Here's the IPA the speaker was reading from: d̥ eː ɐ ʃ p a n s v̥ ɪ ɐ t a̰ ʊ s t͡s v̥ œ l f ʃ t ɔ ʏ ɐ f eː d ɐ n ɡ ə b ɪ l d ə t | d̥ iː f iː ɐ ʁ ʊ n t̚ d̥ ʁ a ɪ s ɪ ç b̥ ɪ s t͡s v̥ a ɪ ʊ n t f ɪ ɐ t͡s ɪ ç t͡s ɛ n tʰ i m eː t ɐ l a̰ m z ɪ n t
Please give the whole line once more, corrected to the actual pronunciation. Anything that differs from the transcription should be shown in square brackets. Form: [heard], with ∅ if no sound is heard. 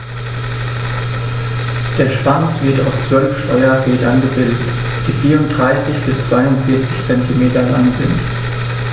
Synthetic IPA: d̥ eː ɐ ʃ p a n s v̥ ɪ ɐ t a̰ ʊ s t͡s v̥ œ l f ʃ t ɔ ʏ ɐ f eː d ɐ n ɡ ə b ɪ l d ə t | d̥ iː f iː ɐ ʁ ʊ n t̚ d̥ ʁ a ɪ s ɪ ç b̥ ɪ s t͡s v̥ a ɪ ʊ n t f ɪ ɐ t͡s ɪ ç t͡s ɛ n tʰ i m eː t ɐ l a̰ [ŋ] z ɪ n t